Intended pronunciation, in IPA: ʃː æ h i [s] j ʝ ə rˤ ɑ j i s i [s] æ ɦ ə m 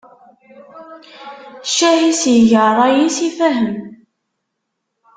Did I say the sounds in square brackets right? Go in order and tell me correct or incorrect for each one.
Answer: correct, incorrect: f

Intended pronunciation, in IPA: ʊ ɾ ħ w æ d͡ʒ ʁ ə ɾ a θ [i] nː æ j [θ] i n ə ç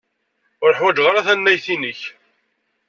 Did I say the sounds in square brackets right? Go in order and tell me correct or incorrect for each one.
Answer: incorrect: æ, correct

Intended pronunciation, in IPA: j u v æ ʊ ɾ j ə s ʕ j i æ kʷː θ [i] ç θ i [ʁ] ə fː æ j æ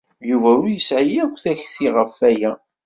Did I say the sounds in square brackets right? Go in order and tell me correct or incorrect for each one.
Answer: incorrect: æ, correct

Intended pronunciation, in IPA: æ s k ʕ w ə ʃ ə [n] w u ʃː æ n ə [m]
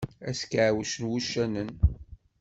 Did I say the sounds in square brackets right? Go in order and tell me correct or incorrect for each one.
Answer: correct, incorrect: n

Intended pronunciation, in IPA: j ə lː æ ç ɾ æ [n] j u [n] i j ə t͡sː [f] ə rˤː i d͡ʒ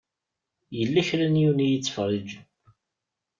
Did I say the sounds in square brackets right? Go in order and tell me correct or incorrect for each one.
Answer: correct, correct, correct

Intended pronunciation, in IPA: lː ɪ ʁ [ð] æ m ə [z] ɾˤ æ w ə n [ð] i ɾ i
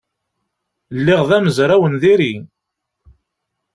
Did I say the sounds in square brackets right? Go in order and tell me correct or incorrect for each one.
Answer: correct, correct, correct

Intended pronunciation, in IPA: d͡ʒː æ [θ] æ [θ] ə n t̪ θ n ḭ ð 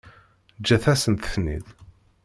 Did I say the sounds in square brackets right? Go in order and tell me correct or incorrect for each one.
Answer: correct, incorrect: s

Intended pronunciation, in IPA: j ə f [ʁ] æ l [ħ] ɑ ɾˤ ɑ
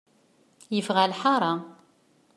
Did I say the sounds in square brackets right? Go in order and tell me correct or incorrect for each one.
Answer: correct, correct

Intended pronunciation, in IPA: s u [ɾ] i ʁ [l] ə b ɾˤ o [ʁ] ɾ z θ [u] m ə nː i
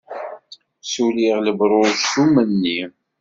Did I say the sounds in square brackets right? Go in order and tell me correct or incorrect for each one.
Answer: incorrect: l, correct, incorrect: none, correct

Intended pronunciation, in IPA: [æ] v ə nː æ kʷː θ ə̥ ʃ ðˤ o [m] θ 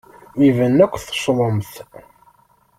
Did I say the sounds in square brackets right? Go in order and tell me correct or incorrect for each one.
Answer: incorrect: i, correct

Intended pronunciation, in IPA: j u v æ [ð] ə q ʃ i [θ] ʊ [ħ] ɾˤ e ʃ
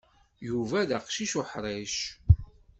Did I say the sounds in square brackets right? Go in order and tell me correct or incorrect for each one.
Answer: correct, incorrect: ʃ, correct

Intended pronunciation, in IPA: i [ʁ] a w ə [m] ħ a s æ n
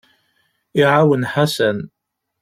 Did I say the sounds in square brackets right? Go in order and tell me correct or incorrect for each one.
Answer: incorrect: ʕ, incorrect: n

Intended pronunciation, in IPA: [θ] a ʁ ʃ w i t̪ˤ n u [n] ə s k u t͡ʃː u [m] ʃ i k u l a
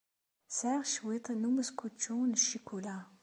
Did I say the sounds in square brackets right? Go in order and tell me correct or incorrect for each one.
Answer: incorrect: s, incorrect: m, incorrect: n

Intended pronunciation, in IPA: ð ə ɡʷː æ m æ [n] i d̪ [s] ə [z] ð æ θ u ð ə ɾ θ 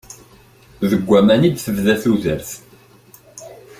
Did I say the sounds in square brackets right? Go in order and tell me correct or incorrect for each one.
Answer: correct, incorrect: θ, incorrect: v

